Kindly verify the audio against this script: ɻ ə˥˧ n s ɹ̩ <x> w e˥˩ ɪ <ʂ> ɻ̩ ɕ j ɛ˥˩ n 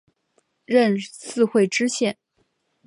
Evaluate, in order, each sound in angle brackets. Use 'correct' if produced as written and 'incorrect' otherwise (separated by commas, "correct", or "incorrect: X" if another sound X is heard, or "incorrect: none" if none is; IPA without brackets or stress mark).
correct, incorrect: ʈ͡ʂ